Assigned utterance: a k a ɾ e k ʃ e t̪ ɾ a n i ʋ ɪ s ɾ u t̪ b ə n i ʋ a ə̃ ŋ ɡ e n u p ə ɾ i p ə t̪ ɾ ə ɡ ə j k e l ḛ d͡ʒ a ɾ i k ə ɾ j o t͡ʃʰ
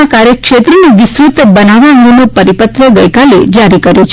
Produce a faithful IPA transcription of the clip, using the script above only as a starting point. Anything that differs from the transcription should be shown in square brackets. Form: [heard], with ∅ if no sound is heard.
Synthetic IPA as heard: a k a ɾ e k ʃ e t̪ ɾ [ə] n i ʋ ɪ s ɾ u t̪ b ə n [a] ʋ a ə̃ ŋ ɡ e n [o] p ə ɾ i p ə t̪ ɾ ə ɡ ə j k [a] l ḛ d͡ʒ a ɾ i k ə ɾ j o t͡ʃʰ

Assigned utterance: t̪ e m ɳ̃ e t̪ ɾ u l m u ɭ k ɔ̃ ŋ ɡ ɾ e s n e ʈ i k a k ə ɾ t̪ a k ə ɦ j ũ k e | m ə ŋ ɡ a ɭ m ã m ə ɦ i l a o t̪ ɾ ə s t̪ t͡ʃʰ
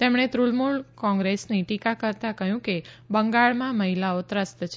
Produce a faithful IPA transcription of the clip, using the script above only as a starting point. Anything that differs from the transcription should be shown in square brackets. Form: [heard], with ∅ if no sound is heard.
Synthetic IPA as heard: t̪ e m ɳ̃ e t̪ ɾ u l m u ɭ k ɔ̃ ŋ ɡ ɾ e s n [i] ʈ i k a k ə ɾ t̪ a k ə ɦ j ũ k e | [b] ə ŋ ɡ a ɭ m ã m ə ɦ i l a o t̪ ɾ ə s t̪ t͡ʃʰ

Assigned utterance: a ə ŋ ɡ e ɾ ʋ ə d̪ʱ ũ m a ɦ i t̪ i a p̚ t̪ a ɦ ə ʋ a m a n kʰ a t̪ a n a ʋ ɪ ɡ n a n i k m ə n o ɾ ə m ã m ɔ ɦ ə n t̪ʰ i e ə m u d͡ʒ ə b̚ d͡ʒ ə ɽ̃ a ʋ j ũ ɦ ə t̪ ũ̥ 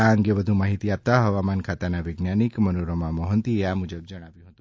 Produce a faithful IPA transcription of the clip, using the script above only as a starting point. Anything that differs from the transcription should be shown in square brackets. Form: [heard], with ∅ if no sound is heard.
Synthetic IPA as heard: a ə ŋ ɡ e [∅] ʋ ə d̪ʱ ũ m a ɦ i t̪ i a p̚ t̪ a ɦ ə ʋ a m a n kʰ a t̪ a n a ʋ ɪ ɡ n a n i k m ə n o ɾ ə m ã m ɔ ɦ ə n [t̪] i e [a] m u d͡ʒ ə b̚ d͡ʒ ə ɽ̃ a ʋ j ũ ɦ ə t̪ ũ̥

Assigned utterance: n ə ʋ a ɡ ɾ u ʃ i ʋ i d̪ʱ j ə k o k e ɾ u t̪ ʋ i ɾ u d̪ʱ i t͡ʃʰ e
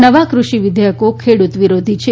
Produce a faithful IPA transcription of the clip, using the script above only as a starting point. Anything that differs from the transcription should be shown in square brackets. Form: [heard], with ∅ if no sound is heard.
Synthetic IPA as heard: n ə ʋ a [k] ɾ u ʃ i ʋ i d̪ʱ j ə k o [kʰ] e [ɽ] u t̪ ʋ i ɾ [o] d̪ʱ i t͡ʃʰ e

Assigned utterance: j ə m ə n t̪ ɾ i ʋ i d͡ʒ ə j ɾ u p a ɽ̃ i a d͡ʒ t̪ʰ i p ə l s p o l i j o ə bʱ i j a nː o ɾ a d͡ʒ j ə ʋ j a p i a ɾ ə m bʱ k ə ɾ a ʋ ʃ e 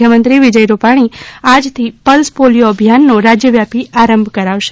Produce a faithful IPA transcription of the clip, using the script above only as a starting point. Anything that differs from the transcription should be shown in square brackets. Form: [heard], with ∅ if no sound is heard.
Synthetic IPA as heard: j ə m ə n t̪ ɾ i ʋ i d͡ʒ ə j ɾ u p a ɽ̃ i a d͡ʒ t̪ʰ i p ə l s p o l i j o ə bʱ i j a nː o ɾ a d͡ʒ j ə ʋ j a p i a ɾ ə m bʱ k ə ɾ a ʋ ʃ e

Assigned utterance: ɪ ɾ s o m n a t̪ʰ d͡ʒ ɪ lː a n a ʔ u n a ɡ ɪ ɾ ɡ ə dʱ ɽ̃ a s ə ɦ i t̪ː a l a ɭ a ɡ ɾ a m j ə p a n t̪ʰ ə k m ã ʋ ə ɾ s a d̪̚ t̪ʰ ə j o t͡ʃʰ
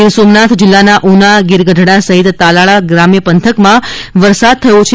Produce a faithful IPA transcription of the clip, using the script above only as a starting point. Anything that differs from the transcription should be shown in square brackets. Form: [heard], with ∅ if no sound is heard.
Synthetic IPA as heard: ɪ ɾ s o m n a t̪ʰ d͡ʒ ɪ lː a n a ʔ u n a ɡ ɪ ɾ ɡ ə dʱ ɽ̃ a s ə ɦ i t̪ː a l a ɭ a ɡ ɾ a m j ə p [ə] n t̪ʰ ə k m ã ʋ ə ɾ s a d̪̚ t̪ʰ ə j o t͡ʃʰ

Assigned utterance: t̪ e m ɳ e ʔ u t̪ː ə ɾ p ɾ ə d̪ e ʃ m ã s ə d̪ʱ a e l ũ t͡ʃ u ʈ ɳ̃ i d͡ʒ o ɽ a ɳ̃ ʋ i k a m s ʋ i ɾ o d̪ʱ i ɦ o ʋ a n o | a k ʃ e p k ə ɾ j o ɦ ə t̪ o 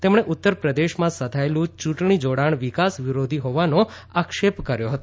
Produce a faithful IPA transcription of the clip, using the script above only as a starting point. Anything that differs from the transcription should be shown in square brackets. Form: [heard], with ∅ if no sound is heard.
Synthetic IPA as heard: t̪ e m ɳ e ʔ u t̪ː ə ɾ p ɾ ə d̪ e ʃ m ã s ə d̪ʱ a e l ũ t͡ʃ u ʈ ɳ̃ i d͡ʒ o ɽ a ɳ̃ ʋ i k a [∅] s ʋ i ɾ o d̪ʱ i ɦ o ʋ a n o | a k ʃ e p k ə ɾ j o ɦ ə t̪ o

